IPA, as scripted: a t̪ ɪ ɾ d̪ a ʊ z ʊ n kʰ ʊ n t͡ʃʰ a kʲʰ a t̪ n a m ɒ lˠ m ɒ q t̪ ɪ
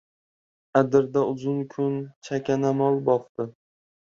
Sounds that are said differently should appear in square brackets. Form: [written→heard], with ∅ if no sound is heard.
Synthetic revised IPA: a [t̪→d̪] ɪ ɾ d̪ a ʊ z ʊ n kʰ ʊ n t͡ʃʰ a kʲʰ a [t̪→∅] n a m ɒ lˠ [m→b] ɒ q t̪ ɪ